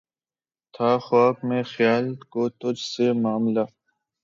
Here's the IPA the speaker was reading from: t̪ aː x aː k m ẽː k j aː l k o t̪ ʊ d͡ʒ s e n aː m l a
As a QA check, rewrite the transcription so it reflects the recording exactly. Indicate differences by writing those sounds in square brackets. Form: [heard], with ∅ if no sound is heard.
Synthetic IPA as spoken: [t̪ʰ] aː x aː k m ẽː [x] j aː l k o t̪ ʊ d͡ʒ s e [m] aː m l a